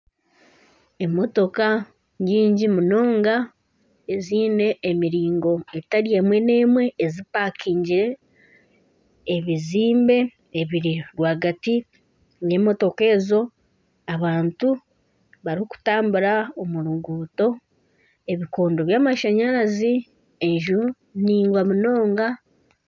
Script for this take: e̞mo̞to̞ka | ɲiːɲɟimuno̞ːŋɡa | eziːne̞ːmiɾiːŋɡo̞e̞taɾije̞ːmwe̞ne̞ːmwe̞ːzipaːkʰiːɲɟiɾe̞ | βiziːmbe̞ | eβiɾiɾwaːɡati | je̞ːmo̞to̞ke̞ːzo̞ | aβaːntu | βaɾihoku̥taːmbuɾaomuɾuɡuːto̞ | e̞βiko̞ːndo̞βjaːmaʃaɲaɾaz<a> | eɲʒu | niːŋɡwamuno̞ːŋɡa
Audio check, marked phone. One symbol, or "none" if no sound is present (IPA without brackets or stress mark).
i